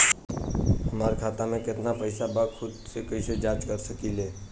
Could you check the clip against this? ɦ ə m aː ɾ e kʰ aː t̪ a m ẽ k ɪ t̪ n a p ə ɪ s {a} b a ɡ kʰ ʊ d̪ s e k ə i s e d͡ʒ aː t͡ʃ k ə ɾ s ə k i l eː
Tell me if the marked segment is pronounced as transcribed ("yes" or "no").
yes